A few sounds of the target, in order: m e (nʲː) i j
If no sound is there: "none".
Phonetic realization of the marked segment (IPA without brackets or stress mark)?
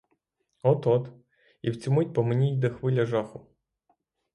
nʲ